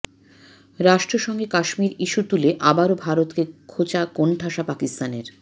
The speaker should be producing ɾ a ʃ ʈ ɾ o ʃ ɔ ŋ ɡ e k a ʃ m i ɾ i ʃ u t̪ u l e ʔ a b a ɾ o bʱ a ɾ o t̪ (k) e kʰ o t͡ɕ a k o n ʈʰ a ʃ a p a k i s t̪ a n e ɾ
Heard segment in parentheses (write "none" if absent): k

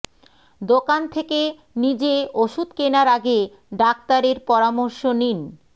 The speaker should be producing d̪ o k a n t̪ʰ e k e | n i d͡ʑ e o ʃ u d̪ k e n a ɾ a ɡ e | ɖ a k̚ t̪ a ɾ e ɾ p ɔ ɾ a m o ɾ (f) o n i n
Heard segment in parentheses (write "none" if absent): ʃ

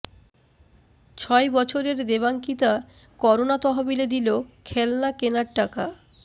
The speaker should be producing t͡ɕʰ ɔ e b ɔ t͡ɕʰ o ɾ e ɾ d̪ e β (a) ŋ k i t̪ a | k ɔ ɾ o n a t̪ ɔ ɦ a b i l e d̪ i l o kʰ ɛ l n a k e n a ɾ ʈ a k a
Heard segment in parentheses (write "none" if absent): a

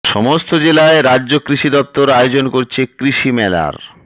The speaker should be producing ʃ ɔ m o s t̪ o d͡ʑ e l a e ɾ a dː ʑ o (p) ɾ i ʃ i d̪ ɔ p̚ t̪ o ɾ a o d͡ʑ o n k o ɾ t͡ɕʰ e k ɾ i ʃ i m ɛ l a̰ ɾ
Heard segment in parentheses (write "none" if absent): k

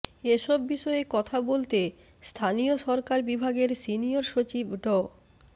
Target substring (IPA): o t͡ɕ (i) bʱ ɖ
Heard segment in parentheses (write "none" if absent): i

